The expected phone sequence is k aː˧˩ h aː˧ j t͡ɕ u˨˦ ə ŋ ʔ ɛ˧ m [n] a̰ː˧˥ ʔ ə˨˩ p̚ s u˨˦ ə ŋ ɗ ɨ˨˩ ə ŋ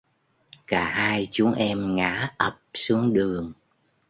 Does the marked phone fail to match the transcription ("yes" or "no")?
yes